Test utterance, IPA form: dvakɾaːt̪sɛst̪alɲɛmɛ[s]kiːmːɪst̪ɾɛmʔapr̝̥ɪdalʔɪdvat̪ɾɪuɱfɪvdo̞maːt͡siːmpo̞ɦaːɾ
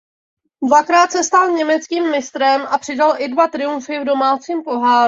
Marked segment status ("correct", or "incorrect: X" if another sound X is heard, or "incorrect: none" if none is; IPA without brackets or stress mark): incorrect: t͡s